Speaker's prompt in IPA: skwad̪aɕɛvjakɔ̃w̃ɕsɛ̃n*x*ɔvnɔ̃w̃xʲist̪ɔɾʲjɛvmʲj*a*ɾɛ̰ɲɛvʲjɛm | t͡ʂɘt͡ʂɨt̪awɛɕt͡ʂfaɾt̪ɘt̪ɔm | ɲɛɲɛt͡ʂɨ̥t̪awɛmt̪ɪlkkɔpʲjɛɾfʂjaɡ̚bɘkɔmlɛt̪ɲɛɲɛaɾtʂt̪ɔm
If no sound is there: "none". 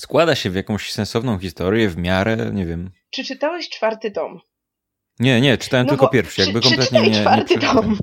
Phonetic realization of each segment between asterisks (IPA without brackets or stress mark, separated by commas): s, a